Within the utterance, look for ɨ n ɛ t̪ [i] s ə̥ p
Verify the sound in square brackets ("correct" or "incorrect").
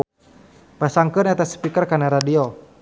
incorrect